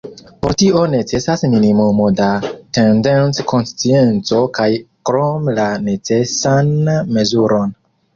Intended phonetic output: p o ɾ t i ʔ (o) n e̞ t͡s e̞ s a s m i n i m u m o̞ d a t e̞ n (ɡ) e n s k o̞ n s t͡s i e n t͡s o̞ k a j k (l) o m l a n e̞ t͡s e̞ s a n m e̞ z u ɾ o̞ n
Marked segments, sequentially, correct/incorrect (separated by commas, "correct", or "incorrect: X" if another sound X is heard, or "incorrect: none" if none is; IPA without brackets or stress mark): correct, incorrect: d, incorrect: ɾ